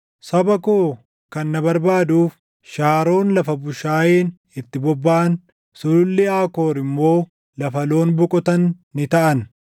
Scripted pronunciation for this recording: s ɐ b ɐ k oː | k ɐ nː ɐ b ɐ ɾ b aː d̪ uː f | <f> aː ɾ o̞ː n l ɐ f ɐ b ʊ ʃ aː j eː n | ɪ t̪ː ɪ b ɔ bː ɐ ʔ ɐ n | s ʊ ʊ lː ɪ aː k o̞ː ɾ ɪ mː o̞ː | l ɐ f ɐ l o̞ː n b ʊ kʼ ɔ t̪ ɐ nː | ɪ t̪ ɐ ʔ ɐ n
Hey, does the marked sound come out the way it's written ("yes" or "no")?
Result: no